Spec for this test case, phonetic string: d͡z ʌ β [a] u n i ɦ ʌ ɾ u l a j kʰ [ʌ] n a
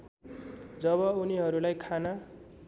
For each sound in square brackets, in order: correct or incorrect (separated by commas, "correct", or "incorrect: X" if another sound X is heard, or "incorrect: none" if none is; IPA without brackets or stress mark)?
incorrect: ʌ, incorrect: a